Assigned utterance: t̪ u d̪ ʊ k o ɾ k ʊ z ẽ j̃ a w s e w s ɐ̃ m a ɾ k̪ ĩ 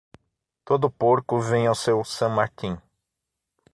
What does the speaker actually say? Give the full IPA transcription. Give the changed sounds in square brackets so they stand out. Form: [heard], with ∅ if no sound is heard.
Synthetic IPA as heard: t̪ [o] d̪ ʊ [p] o ɾ k ʊ [v] ẽ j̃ a w s e w s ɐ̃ m a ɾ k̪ ĩ